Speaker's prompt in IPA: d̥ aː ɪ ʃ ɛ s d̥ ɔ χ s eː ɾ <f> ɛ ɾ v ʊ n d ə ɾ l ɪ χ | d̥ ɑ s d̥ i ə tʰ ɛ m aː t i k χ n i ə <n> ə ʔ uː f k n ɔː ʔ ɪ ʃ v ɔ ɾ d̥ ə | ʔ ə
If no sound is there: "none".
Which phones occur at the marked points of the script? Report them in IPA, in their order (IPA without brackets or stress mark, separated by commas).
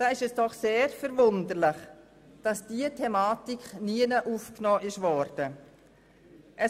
f, n